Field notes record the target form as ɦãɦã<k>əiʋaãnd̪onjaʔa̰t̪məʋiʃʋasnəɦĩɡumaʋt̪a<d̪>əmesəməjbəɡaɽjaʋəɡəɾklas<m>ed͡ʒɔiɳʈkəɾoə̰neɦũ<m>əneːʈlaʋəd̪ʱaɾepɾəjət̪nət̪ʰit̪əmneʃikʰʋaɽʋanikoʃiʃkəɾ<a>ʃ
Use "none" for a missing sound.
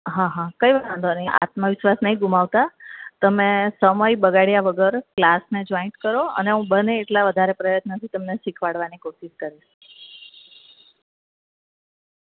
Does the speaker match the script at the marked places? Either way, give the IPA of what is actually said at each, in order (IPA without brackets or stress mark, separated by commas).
k, t̪, n, b, i